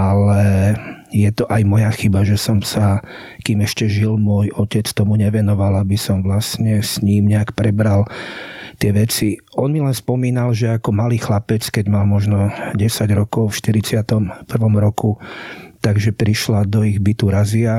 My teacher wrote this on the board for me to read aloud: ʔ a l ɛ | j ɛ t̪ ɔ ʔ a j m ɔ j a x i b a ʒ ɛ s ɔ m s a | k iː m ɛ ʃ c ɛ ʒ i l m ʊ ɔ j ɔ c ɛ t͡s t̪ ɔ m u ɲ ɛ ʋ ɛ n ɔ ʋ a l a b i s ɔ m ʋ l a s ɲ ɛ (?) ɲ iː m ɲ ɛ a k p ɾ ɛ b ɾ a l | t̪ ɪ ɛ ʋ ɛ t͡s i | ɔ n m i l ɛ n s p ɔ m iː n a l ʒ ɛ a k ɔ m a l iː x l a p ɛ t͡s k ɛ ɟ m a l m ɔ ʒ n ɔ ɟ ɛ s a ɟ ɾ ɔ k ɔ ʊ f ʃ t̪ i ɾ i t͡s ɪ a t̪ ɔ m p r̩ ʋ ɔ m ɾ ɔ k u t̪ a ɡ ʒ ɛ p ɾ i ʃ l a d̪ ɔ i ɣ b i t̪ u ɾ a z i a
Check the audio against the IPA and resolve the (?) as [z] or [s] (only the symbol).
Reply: s